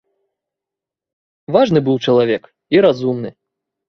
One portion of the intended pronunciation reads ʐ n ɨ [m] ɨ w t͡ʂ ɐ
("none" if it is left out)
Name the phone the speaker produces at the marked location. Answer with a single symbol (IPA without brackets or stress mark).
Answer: b